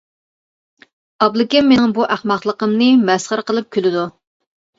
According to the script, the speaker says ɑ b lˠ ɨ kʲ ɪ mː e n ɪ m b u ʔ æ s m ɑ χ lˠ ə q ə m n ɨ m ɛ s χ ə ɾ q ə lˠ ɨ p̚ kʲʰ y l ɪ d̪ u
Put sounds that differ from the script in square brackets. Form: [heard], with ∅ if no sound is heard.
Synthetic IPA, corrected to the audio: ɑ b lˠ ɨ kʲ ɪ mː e n ɪ [ŋ] b u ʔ æ [χ] m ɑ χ lˠ ə q ə m n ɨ m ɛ s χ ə ɾ q ə lˠ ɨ p̚ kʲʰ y l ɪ d̪ u